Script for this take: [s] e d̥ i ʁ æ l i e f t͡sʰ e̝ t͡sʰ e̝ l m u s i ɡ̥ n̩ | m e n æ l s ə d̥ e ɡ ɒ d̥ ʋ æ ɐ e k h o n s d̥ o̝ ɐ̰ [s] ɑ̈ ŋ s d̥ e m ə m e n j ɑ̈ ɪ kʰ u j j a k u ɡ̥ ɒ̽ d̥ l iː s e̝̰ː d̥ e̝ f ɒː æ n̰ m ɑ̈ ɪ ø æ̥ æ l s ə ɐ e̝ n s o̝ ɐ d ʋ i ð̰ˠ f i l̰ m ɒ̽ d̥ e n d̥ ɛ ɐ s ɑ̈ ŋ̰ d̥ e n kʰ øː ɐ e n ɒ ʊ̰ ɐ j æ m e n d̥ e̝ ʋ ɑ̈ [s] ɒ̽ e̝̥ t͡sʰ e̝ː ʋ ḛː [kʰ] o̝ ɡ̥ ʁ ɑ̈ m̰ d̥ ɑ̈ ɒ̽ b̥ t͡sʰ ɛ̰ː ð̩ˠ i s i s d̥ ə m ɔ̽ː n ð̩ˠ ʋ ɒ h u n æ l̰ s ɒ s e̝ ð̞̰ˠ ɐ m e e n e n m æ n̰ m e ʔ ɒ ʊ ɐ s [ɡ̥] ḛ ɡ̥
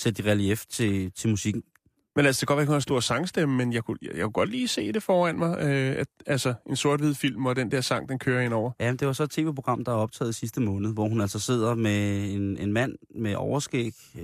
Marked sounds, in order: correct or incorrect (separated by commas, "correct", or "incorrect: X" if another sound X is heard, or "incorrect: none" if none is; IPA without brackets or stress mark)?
correct, correct, correct, incorrect: pʰ, correct